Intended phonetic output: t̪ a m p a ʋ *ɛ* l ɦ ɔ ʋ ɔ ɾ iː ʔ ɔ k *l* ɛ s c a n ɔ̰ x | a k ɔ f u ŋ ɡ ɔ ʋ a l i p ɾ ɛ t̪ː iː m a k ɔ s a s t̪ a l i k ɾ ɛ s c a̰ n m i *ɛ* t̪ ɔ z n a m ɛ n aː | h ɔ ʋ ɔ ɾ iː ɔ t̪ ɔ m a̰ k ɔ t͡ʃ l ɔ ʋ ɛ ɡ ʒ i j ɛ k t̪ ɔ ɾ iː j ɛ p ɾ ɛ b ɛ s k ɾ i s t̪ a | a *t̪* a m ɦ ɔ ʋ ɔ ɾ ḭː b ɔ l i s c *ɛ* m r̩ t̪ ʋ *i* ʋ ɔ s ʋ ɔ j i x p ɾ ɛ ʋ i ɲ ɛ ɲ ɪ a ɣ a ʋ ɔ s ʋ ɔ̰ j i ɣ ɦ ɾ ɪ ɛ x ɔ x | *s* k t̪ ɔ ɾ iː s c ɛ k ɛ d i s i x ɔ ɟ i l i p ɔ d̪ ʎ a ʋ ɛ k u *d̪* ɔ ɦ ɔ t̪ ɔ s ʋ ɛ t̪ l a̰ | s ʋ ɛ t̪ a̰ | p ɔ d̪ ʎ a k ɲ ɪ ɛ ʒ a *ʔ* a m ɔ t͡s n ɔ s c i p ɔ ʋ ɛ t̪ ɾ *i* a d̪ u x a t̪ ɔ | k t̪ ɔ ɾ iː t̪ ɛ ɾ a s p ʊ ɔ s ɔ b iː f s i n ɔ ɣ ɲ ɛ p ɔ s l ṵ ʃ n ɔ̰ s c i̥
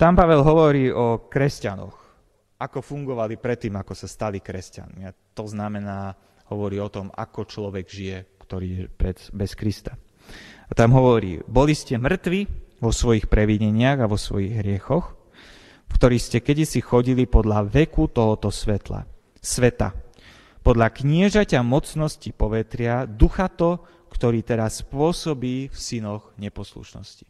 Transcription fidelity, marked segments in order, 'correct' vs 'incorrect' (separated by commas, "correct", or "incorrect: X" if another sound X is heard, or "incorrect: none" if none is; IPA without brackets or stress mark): correct, incorrect: ɾ, incorrect: a, correct, correct, correct, incorrect: f, incorrect: t̪, incorrect: c, incorrect: ɪ